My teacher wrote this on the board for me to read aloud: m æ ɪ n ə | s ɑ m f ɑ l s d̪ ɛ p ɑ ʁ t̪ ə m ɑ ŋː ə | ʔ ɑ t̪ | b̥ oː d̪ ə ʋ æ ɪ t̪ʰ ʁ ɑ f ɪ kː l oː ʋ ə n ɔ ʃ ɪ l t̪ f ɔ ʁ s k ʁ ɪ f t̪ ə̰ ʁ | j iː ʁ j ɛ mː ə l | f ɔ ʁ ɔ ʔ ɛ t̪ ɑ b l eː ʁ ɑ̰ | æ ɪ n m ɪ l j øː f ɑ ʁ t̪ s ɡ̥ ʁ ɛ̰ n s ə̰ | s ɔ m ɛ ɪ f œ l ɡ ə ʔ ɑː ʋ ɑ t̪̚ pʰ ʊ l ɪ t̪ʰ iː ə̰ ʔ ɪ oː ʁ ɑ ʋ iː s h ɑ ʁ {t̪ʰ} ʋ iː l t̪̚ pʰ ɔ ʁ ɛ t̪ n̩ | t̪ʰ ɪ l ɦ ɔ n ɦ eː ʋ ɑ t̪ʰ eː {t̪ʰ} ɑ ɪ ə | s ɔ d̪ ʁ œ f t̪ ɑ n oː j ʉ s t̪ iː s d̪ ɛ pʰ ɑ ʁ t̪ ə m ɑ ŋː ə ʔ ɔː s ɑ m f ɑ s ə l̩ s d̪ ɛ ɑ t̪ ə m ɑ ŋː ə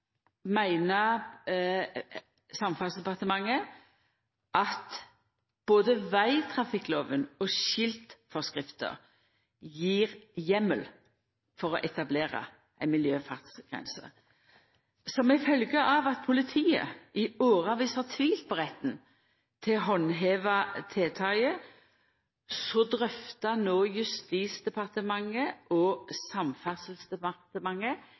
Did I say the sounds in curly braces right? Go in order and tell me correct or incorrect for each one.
correct, correct

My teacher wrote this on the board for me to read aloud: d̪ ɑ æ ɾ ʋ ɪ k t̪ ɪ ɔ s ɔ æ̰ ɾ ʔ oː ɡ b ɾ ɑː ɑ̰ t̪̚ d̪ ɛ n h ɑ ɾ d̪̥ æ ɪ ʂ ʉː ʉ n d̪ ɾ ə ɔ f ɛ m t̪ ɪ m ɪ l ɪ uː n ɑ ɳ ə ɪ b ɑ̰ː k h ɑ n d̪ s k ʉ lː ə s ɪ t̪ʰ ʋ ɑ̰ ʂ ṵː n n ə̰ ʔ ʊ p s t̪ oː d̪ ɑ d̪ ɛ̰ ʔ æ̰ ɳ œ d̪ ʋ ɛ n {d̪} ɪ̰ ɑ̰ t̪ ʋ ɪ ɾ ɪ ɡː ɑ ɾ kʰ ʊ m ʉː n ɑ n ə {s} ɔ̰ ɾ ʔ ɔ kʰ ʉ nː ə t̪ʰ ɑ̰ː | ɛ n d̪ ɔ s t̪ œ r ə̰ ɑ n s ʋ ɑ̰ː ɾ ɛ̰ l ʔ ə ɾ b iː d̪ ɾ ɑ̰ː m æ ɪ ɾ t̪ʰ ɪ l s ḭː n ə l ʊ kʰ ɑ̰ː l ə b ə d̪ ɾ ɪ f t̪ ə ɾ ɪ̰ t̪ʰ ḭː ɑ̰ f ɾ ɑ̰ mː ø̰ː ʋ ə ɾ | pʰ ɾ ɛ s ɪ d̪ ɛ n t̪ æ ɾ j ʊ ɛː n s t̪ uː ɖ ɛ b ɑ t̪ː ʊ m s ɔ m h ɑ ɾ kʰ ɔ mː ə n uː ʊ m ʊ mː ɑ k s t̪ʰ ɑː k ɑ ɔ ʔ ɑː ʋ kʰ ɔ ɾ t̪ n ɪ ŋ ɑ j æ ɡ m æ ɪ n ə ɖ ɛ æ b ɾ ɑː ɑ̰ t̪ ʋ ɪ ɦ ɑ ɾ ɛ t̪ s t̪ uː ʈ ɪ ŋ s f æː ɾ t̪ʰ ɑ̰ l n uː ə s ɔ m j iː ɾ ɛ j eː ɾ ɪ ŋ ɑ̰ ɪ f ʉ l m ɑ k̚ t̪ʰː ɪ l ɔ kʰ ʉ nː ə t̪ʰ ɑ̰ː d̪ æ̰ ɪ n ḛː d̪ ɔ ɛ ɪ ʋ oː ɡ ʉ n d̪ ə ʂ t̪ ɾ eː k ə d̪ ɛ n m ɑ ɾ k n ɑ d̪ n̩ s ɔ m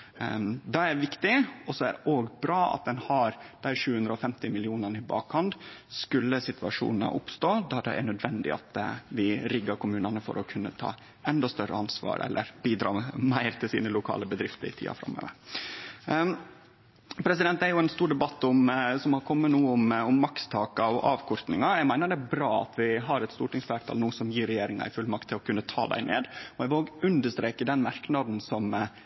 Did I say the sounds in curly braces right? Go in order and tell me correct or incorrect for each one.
correct, incorrect: f

